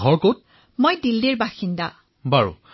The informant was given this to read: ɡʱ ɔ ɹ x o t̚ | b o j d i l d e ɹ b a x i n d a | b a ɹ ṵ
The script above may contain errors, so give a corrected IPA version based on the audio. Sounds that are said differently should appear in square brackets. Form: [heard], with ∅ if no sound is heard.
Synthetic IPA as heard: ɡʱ ɔ ɹ [k] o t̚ | [m] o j d i l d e ɹ b a x i n d a | b a ɹ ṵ